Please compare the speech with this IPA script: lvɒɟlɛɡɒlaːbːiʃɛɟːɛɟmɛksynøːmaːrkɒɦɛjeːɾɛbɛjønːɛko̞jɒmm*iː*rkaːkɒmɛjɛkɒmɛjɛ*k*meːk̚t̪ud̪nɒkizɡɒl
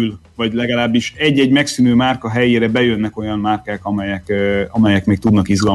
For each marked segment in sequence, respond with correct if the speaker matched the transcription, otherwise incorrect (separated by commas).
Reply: incorrect, correct